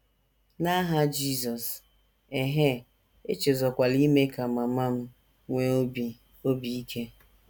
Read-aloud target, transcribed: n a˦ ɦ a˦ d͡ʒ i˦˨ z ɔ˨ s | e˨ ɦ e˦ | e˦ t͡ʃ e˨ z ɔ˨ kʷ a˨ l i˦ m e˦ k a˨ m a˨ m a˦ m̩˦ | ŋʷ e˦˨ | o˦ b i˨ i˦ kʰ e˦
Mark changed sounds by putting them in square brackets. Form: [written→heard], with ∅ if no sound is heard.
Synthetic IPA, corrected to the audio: n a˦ ɦ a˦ d͡ʒ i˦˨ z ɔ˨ s | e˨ ɦ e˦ | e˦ t͡ʃ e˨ z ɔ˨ kʷ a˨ l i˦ m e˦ k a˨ m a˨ m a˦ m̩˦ | ŋʷ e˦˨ | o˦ b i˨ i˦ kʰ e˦